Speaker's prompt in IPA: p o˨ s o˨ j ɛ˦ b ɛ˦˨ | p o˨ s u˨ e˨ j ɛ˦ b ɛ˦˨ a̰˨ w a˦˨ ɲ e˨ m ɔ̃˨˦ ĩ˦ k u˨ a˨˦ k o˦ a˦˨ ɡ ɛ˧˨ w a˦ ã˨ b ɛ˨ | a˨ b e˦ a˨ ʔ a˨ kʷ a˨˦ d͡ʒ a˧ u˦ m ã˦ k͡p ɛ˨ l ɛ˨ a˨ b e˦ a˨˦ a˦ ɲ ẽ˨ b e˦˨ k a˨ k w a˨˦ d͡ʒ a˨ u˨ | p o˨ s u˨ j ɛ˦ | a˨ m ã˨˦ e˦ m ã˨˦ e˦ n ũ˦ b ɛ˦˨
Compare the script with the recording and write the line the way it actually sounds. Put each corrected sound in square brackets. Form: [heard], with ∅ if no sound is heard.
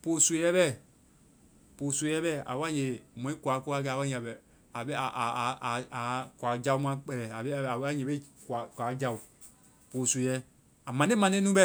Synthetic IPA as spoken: p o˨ s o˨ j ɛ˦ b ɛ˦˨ | p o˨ s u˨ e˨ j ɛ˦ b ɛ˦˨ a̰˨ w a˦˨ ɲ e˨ m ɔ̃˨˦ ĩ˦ k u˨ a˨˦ k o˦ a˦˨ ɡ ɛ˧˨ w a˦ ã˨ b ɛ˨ | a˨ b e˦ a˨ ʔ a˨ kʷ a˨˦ d͡ʒ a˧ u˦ m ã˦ k͡p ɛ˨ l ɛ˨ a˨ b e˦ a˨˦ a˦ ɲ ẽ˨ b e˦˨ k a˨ k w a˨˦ d͡ʒ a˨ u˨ | p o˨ s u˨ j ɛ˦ | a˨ m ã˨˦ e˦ m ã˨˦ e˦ n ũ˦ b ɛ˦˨